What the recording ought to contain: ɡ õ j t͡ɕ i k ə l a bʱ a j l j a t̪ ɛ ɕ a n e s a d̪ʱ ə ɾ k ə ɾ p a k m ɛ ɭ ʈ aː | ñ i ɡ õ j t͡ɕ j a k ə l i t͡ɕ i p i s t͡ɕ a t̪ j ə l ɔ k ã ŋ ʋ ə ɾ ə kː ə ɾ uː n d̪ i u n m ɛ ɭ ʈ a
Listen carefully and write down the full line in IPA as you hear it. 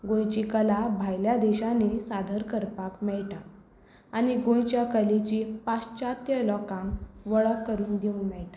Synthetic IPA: ɡ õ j t͡ɕ i k ə l a bʱ a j l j a d̪ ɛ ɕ a n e s a d̪ʱ ə ɾ k ə ɾ p a k m ɛ ɭ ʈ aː | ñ i ɡ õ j t͡ɕ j a k ə l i t͡ɕ i p a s t͡ɕ a t̪ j ə l ɔ k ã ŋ ʋ ə ɭ ə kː ə ɾ uː n d̪ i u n m ɛ ɭ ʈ a

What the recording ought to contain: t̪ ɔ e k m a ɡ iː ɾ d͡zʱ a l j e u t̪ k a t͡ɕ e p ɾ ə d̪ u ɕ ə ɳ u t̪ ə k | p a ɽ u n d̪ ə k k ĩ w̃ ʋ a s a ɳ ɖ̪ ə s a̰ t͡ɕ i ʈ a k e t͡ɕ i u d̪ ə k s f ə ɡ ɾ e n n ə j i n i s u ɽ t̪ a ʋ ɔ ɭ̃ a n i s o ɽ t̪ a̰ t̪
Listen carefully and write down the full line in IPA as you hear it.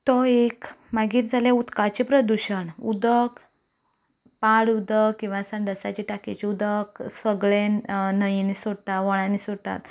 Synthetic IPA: t̪ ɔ e k m a ɡ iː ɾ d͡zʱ a l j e u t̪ k a t͡ɕ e p ɾ ə d̪ u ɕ ə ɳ u d̪ ə k | p a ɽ u d̪ ə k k ĩ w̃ ʋ a s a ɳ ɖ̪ ə s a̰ t͡ɕ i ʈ a k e t͡ɕ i u d̪ ə k s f ə ɡ ɭ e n n ə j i n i s o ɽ t̪ a ʋ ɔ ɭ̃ a n i s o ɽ t̪ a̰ t̪

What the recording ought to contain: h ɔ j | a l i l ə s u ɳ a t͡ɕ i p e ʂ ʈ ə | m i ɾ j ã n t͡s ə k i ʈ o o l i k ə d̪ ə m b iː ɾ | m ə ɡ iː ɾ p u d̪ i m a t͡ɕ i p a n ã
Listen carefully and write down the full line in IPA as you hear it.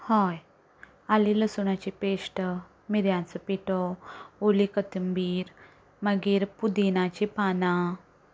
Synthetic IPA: h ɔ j | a l i l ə s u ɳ a t͡ɕ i p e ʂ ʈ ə | m i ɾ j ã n t͡s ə p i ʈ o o l i k ə t̪ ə m b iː ɾ | m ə ɡ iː ɾ p u d̪ i n a t͡ɕ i p a n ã

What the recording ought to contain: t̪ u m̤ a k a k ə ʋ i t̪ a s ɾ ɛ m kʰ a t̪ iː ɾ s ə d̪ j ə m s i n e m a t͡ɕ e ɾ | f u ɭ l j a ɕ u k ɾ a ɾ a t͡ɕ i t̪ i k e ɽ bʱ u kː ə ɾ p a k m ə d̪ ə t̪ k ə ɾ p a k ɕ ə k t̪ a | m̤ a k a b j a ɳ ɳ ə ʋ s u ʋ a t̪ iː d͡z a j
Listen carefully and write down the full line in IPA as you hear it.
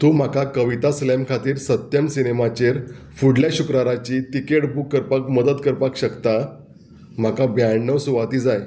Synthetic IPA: t̪ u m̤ a k a k ə ʋ i t̪ a s l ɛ m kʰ a t̪ iː ɾ s ə t̪ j ə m s i n e m a t͡ɕ e ɾ | f u ɽ l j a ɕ u k ɾ a ɾ a t͡ɕ i t̪ i k e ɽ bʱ u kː ə ɾ p a k m ə d̪ ə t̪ k ə ɾ p a k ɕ ə k t̪ a | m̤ a k a b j a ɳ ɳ ə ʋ s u ʋ a t̪ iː d͡z a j

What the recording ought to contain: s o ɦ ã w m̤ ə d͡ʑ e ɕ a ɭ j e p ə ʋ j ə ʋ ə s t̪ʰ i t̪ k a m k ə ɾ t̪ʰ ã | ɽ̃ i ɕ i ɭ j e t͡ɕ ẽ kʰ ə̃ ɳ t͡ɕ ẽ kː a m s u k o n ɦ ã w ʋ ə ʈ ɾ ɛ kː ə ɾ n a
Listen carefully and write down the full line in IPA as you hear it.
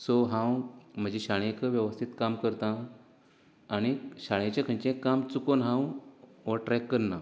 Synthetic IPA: s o ɦ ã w m̤ ə d͡ʑ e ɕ a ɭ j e k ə ʋ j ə ʋ ə s t̪ʰ i t̪ k a m k ə ɾ t̪ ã | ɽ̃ i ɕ a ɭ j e t͡ɕ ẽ kʰ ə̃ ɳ t͡ɕ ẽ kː a m t͡s u k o n ɦ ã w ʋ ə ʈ ɾ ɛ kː ə ɾ n a

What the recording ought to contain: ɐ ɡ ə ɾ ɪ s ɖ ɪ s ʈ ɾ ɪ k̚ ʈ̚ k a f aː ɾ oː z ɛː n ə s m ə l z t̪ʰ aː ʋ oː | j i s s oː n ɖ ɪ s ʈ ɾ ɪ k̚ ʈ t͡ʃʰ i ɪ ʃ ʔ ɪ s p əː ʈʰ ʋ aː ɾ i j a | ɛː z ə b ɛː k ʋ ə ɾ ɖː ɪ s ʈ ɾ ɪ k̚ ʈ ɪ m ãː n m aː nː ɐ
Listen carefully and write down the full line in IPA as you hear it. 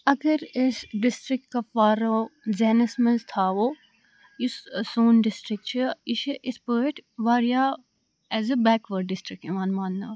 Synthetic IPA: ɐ ɡ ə ɾ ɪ s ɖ ɪ s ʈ ɾ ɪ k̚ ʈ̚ k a f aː ɾ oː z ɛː n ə s m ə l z t̪ʰ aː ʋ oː | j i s s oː n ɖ ɪ s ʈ ɾ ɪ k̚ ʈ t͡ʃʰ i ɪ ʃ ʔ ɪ s p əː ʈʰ ʋ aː ɾ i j a | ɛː z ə b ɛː k ʋ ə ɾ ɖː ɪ s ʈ ɾ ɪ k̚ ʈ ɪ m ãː n m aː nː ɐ

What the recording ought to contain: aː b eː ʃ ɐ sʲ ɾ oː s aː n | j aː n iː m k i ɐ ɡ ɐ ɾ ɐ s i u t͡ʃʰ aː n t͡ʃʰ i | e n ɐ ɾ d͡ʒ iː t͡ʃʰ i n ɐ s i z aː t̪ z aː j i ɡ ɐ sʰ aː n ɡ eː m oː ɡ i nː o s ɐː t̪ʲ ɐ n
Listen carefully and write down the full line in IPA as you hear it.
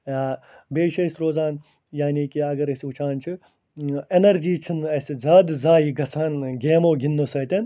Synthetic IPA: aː b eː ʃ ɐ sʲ ɾ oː z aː n | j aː n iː k i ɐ ɡ ɐ ɾ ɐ s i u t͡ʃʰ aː n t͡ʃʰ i | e n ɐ ɾ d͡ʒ iː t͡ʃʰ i n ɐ s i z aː d̪ z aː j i ɡ ɐ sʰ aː n ɡ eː m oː ɡ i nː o s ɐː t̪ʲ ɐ n

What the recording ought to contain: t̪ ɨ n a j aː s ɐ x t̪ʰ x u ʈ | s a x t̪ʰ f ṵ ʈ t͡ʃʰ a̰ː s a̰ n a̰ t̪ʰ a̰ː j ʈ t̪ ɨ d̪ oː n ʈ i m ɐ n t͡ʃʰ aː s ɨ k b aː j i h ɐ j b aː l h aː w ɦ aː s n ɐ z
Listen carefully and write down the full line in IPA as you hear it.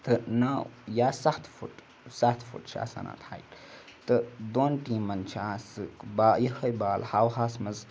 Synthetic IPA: t̪ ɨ n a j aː s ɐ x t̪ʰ f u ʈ | s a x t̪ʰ f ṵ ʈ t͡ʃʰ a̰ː s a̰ n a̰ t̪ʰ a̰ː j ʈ t̪ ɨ d̪ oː n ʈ i m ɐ n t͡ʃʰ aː s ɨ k b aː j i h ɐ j b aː l h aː w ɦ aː s m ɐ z

